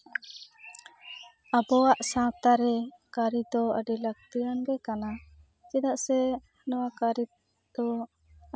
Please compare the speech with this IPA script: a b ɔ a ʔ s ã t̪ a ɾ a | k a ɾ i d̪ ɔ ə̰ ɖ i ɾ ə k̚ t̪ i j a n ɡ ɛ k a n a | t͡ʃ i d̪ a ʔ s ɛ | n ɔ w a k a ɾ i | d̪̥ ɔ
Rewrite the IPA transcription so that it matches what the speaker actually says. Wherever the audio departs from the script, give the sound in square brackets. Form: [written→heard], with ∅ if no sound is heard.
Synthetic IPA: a b ɔ a ʔ s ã t̪ a ɾ [a→ɛ] | k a ɾ i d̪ ɔ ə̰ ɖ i [ɾ→l] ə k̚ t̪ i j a n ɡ ɛ k a n a | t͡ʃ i d̪ a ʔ s ɛ | n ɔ w a k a ɾ i | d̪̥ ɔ

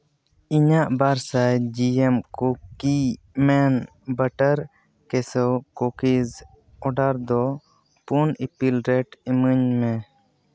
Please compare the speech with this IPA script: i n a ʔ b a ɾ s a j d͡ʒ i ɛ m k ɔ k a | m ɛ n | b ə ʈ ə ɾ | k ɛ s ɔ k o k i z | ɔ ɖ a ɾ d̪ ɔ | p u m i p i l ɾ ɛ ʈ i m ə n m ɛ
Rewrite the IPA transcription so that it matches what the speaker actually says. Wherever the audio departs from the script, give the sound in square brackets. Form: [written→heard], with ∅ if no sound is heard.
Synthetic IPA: i [n→ɲ] a ʔ b a ɾ s a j d͡ʒ i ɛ m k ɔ k [a→i] | m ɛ n | b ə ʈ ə ɾ | k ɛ s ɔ k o k i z | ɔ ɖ a ɾ d̪ ɔ | p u [m→n] i p i l ɾ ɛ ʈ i m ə [n→ɲ] m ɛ

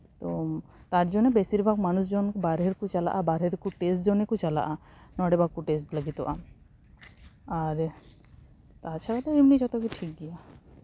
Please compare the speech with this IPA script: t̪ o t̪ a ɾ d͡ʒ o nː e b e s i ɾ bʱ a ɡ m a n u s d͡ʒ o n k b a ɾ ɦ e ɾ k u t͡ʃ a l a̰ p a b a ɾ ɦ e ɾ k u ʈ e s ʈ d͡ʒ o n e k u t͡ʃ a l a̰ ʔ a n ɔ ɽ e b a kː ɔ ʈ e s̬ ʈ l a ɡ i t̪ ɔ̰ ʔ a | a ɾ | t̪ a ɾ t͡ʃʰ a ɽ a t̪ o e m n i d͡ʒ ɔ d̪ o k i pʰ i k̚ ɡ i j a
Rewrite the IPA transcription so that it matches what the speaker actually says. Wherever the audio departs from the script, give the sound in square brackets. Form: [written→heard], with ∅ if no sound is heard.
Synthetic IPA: t̪ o t̪ a ɾ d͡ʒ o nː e b e s i ɾ bʱ a ɡ m a n u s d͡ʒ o n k b a ɾ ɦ e ɾ k u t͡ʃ a l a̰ [p→ʔ] a b a ɾ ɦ e ɾ k u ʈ e s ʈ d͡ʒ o n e k u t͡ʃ a l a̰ ʔ a n ɔ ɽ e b a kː [ɔ→u] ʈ e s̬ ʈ l a ɡ i t̪ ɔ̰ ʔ a | a ɾ | t̪ a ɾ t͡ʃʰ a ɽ a t̪ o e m n i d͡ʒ ɔ [d̪→t̪] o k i [pʰ→ʈʰ] i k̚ ɡ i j a

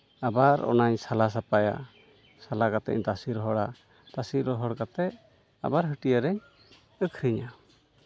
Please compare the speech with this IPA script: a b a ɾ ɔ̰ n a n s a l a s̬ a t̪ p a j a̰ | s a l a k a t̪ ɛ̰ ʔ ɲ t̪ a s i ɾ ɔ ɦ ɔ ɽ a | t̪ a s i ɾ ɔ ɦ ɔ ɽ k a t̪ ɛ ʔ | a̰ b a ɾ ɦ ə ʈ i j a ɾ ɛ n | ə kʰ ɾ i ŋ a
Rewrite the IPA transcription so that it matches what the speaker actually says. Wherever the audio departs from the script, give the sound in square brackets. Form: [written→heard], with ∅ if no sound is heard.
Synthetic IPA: a b a ɾ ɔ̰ n a [n→ɲ] s a l a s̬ a [t̪→∅] p a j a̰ | s a l a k a t̪ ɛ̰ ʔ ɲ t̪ a s i ɾ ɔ ɦ ɔ ɽ a | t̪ a s i ɾ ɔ ɦ ɔ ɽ k a t̪ ɛ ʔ | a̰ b a ɾ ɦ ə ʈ i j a ɾ ɛ [n→ɲ] | ə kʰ ɾ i [ŋ→ɲ] a

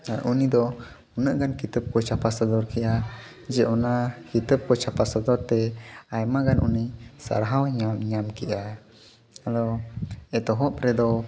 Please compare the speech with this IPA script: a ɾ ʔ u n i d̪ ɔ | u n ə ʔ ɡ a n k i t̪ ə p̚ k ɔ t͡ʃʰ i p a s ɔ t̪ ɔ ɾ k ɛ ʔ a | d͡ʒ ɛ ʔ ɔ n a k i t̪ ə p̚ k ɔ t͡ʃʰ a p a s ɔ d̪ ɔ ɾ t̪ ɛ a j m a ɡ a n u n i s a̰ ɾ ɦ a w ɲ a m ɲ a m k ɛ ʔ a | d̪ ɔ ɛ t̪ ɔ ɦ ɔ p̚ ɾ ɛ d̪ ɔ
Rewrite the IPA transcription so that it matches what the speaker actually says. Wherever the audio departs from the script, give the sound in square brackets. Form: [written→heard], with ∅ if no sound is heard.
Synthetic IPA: a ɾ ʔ u n i d̪ ɔ | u n ə ʔ ɡ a n k i t̪ ə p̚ k ɔ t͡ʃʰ [i→a] p a s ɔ [t̪→d̪] ɔ ɾ k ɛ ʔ a | d͡ʒ ɛ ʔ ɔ n a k i t̪ ə p̚ k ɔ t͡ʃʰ a p a s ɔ d̪ ɔ ɾ t̪ ɛ a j m a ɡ a n u n i s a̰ ɾ ɦ a w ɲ a m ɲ a m k ɛ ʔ a | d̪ ɔ ɛ t̪ ɔ ɦ ɔ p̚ ɾ ɛ d̪ ɔ

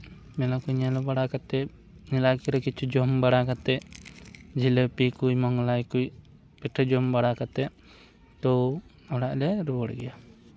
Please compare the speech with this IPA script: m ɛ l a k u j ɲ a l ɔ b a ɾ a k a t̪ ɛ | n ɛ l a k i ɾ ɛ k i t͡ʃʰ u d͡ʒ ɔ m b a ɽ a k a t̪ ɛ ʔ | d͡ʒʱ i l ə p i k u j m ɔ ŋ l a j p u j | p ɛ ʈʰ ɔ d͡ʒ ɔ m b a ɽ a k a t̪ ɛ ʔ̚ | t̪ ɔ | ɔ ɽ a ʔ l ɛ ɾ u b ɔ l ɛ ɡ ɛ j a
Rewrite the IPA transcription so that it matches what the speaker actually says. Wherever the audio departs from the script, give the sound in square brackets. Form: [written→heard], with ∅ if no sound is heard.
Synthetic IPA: m ɛ l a k u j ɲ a l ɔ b a [ɾ→ɽ] a k a t̪ ɛ | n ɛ l a k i ɾ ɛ k i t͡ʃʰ u d͡ʒ ɔ m b a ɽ a k a t̪ ɛ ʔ | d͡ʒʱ i l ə p i k u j m ɔ ŋ l a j [p→k] u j | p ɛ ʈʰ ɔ d͡ʒ ɔ m b a ɽ a k a t̪ ɛ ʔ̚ | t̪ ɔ | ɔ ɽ a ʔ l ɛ ɾ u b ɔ [l→ɽ] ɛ ɡ ɛ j a

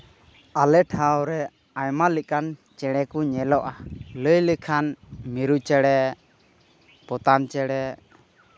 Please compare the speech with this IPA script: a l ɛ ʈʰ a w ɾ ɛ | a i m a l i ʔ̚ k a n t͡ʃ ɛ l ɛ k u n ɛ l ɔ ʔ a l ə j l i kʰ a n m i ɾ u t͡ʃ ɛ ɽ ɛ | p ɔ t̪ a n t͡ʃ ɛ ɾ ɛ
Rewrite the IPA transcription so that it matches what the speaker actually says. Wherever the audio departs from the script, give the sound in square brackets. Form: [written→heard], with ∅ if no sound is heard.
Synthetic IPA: a l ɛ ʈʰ a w ɾ ɛ | a [i→j] m a l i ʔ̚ k a n t͡ʃ ɛ [l→ɽ] ɛ k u [n→ɲ] ɛ l ɔ ʔ a l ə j l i kʰ a n m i ɾ u t͡ʃ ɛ ɽ ɛ | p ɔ t̪ a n t͡ʃ ɛ [ɾ→ɽ] ɛ

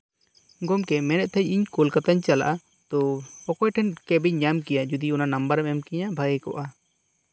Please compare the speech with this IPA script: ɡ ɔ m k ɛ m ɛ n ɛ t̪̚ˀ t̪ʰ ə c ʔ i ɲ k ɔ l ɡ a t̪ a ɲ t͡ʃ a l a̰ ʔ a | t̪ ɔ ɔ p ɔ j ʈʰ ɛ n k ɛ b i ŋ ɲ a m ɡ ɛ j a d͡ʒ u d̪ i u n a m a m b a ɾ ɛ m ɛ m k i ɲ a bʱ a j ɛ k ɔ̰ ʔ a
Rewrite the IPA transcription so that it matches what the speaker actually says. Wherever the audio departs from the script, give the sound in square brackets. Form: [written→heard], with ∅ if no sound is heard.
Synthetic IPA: ɡ ɔ m k ɛ m ɛ n ɛ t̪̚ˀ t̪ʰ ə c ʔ i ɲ k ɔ l [ɡ→k] a t̪ a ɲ t͡ʃ a l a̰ ʔ a | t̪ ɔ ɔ [p→k] ɔ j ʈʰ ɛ n k ɛ b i [ŋ→ɲ] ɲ a m [ɡ→k] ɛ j a d͡ʒ u d̪ i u n a [m→n] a m b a ɾ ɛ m ɛ m k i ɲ a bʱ a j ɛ k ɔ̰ ʔ a

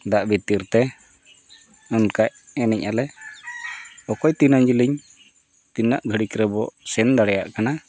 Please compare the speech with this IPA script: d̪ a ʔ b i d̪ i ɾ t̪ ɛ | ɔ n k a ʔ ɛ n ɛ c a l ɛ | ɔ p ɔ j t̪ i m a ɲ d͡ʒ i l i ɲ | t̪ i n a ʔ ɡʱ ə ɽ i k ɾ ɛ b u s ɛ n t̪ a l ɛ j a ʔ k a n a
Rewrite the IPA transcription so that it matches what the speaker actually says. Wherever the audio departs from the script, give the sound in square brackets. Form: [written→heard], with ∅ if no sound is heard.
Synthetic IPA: d̪ a ʔ b i [d̪→t̪] i ɾ t̪ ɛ | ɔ n k a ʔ ɛ n ɛ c a l ɛ | ɔ [p→k] ɔ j t̪ i [m→n] a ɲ d͡ʒ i l i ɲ | t̪ i n a ʔ ɡʱ ə ɽ i k ɾ ɛ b [u→ɔ] s ɛ n [t̪→d̪] a [l→ɽ] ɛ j a ʔ k a n a

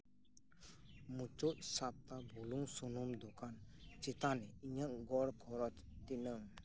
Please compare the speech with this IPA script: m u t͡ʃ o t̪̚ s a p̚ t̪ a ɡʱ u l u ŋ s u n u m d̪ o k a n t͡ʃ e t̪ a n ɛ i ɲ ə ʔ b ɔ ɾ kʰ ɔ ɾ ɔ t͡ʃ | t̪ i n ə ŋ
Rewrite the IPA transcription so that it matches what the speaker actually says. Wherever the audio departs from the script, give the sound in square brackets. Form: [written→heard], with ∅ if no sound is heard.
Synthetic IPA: m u t͡ʃ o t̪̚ s a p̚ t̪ a [ɡʱ→bʱ] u l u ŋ s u n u m d̪ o k a n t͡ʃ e t̪ a n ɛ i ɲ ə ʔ [b→ɡ] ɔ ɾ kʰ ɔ ɾ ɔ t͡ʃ | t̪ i n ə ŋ

